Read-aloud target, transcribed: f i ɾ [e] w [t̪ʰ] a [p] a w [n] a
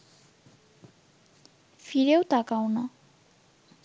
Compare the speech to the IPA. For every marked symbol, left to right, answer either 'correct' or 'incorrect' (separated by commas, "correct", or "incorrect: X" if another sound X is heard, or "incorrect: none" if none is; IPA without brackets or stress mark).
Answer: correct, incorrect: t̪, incorrect: k, correct